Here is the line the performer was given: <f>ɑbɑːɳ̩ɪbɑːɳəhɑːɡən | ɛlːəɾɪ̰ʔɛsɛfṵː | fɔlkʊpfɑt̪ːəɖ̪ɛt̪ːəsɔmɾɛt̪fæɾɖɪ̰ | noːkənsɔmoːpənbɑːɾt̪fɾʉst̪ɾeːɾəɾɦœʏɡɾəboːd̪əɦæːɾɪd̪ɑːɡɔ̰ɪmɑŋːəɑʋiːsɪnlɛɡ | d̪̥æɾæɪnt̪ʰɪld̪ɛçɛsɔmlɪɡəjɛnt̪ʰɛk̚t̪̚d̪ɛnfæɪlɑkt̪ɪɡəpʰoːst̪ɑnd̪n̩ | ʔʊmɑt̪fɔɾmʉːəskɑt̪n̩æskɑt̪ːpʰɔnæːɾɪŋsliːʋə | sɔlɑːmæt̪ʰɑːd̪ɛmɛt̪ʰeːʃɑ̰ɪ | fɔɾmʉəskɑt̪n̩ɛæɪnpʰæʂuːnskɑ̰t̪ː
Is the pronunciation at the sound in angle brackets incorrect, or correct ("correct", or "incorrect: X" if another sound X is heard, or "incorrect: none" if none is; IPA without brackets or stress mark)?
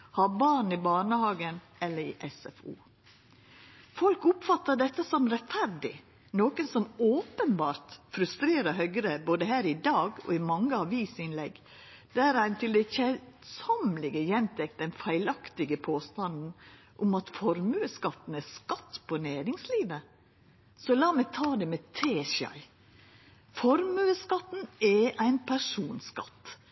incorrect: h